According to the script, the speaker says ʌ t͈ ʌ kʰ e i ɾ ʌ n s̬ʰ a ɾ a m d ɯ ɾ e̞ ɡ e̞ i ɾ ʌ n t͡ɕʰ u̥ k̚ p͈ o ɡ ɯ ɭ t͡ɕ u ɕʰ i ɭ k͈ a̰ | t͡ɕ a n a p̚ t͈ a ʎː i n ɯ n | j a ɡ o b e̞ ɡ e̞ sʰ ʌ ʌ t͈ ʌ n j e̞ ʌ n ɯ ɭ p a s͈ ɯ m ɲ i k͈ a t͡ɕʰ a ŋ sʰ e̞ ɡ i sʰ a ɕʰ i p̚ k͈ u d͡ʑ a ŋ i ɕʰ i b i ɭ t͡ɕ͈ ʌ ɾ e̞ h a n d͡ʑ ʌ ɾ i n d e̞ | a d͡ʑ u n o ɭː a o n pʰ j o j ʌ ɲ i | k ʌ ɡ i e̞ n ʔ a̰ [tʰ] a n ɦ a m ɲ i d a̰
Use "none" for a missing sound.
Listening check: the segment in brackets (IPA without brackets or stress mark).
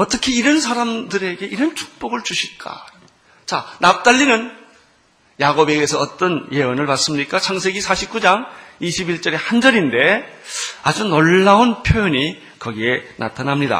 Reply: tʰ